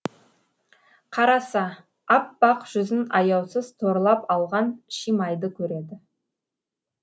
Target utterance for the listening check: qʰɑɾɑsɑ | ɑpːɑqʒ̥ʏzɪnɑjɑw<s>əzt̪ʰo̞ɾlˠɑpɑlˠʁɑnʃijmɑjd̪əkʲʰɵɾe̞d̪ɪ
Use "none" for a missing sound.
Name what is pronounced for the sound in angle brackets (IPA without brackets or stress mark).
s